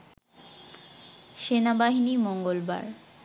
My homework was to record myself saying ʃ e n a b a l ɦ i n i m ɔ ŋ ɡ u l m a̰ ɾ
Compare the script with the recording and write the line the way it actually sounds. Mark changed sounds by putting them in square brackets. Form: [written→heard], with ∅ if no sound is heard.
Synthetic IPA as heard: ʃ e n a b a [l→∅] ɦ i n i m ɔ ŋ ɡ [u→o] l [m→b] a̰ ɾ